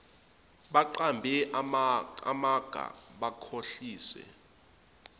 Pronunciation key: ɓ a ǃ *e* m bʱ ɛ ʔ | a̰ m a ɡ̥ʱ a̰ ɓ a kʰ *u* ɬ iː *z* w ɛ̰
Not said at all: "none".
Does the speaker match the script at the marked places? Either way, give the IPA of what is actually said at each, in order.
a, o, s

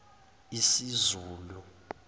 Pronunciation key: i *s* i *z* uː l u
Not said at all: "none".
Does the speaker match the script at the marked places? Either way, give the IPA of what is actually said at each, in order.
s, z

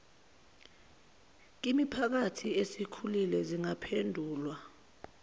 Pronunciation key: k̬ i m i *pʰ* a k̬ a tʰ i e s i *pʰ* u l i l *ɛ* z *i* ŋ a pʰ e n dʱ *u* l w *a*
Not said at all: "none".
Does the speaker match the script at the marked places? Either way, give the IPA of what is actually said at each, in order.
pʰ, kʰ, ɛ, i, uː, a

